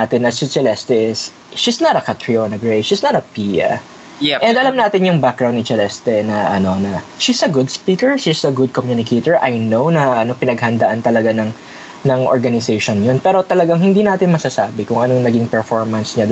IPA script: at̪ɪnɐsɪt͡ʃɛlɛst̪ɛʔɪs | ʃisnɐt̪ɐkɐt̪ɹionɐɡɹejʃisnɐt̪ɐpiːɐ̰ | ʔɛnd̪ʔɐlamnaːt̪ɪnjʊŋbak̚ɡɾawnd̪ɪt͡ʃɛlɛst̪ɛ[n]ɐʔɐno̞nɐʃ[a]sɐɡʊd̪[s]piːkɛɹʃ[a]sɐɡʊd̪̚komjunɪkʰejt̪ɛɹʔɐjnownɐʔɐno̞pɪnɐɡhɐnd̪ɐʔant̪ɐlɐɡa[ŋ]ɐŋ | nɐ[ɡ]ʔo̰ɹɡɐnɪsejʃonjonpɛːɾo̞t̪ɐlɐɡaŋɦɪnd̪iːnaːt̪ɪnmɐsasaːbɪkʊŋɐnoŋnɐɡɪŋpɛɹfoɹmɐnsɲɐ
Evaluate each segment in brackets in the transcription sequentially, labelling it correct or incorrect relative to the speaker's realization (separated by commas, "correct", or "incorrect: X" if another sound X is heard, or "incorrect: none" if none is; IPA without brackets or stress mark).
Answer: correct, incorrect: i, correct, incorrect: i, incorrect: n, incorrect: ŋ